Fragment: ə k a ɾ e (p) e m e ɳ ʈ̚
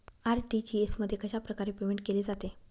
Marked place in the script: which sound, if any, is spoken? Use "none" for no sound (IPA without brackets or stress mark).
p